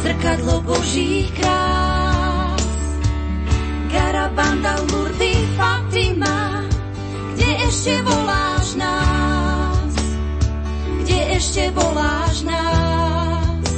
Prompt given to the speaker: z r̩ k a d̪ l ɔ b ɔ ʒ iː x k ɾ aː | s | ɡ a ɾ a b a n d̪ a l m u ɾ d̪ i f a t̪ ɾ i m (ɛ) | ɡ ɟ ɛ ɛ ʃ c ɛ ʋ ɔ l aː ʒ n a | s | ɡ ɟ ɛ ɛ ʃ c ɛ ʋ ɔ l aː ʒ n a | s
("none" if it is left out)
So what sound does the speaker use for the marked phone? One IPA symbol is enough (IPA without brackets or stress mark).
a